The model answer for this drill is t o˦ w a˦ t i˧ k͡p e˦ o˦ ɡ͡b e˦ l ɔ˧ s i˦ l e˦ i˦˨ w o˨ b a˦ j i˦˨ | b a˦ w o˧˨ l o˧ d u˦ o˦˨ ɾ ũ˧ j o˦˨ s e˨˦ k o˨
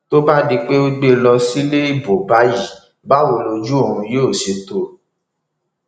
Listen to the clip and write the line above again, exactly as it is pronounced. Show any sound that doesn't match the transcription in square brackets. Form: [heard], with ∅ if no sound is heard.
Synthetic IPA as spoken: t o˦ [b] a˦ [d] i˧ k͡p e˦ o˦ ɡ͡b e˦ l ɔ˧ s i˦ l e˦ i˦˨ [b] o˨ b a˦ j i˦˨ | b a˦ w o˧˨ l o˧ [d͡ʒ] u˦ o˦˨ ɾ ũ˧ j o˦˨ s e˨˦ [t] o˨